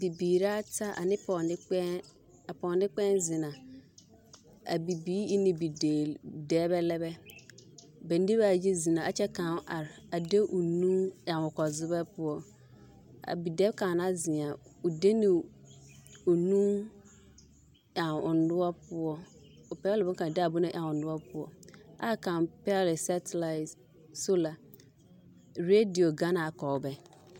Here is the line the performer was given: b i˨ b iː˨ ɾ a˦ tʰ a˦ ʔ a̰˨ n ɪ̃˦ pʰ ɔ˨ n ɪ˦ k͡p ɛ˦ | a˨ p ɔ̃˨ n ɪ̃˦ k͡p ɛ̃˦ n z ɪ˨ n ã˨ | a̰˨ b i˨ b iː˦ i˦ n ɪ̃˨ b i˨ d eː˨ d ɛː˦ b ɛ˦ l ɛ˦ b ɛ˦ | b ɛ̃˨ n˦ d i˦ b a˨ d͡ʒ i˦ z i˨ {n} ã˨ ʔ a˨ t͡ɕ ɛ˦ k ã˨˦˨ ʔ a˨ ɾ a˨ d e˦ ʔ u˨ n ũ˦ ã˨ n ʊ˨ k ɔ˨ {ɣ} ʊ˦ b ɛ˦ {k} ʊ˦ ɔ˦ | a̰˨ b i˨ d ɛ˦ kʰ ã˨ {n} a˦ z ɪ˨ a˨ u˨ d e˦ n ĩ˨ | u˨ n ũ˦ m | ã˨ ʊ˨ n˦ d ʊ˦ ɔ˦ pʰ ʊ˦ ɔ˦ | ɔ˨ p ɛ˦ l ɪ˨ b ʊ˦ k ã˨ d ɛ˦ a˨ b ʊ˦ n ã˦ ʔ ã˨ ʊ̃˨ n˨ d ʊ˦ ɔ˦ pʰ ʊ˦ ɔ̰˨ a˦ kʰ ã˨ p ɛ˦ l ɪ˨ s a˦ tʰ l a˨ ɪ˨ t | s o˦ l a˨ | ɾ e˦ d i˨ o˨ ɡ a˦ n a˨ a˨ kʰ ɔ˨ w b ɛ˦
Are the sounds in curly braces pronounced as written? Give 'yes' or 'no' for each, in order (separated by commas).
yes, no, no, yes